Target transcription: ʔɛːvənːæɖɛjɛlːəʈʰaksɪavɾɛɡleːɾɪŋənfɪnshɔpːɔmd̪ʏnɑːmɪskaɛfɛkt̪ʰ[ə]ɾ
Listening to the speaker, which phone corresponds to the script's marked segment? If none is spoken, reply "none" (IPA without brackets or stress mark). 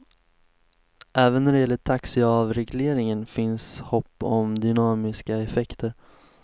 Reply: ə